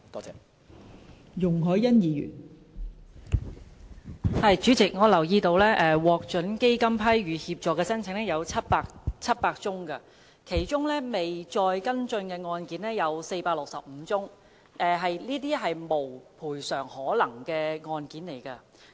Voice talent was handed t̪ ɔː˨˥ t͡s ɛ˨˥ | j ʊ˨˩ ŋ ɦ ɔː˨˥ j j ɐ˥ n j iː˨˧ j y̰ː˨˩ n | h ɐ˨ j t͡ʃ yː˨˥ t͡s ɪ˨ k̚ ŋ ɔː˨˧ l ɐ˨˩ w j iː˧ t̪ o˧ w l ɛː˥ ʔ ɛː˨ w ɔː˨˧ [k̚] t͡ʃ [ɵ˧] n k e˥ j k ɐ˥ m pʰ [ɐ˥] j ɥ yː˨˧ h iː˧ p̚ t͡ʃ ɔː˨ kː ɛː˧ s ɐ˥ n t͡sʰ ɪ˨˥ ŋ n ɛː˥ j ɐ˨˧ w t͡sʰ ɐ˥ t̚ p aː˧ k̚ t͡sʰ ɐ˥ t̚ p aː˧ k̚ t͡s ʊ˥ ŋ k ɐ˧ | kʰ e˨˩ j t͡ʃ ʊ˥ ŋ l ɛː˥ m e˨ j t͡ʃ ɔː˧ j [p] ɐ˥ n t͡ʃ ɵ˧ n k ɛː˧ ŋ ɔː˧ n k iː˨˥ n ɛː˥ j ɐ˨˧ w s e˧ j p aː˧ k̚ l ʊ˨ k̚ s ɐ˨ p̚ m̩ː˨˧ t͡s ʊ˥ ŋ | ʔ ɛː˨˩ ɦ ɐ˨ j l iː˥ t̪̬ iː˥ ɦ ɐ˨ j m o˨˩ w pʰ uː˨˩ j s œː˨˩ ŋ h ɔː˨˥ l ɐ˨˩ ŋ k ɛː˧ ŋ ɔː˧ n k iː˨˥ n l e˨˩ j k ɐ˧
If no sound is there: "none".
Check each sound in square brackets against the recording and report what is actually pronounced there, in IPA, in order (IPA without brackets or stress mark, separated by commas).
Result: k̚, ɵ˨˥, ɐ˥, k